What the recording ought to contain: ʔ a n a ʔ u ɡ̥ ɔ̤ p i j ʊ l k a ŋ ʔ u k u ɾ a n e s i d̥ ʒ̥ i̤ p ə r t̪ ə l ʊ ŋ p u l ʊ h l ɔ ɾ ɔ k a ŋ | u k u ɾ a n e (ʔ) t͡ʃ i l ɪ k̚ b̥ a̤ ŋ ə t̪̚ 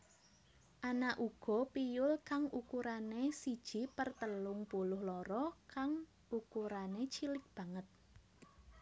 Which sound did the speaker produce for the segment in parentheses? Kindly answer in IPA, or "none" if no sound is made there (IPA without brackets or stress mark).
none